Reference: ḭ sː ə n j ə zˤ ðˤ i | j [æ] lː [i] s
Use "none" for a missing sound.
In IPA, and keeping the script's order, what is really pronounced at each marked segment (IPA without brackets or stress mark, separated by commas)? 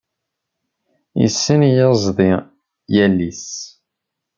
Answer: æ, i